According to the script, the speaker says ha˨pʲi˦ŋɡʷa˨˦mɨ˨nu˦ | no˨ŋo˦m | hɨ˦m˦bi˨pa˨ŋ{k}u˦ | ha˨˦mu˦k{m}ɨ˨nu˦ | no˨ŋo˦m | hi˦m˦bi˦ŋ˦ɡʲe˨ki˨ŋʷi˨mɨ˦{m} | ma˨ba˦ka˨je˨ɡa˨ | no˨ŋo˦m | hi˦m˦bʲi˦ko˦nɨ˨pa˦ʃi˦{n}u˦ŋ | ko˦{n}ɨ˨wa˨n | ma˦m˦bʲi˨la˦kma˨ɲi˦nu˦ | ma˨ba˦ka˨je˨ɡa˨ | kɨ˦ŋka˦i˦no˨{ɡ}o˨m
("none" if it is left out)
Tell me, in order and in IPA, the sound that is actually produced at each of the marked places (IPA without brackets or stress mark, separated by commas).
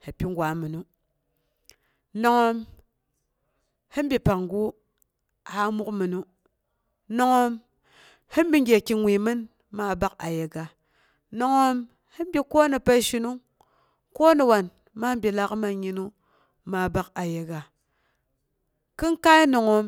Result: ɡ, m, n, n, n, ŋ